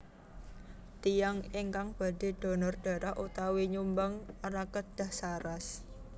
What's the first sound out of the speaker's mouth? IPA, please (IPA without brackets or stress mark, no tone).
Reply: t̪